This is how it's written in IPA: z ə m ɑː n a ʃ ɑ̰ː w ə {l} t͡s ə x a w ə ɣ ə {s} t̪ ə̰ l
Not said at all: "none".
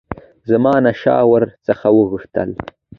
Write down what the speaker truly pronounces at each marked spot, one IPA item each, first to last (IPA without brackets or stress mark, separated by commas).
ɾ, ʂ